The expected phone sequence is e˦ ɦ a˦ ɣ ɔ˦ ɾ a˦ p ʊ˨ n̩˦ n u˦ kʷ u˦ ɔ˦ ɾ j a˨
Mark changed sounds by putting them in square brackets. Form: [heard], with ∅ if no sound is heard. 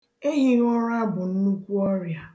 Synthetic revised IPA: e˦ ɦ [i˦] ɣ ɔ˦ ɾ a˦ [b] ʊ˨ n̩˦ n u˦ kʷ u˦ ɔ˦ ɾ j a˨